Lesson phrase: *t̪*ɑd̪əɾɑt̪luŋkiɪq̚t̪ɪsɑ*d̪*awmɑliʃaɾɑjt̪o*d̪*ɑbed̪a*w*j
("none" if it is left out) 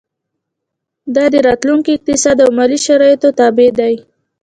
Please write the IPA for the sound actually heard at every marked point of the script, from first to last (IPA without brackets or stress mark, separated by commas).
d̪, d̪, t̪, none